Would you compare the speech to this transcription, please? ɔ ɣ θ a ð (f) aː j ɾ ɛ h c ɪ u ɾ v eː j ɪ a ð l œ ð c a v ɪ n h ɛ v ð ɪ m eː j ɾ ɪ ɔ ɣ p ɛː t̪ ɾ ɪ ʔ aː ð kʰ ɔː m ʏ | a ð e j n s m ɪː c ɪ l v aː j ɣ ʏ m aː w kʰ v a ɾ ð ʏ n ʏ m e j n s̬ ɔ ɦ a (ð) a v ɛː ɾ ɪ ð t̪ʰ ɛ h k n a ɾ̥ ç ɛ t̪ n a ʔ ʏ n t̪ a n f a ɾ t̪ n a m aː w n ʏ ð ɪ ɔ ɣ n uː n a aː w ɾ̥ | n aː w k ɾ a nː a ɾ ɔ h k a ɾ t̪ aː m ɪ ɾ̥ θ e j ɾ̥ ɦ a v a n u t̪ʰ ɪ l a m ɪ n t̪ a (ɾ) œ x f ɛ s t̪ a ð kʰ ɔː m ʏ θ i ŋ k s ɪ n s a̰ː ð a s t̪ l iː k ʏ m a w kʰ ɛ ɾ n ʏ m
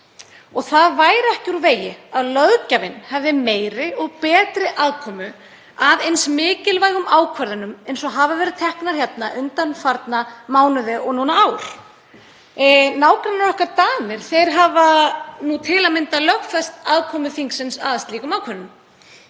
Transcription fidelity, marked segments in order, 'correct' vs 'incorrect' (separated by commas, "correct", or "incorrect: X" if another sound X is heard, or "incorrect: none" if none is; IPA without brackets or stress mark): incorrect: v, incorrect: v, incorrect: l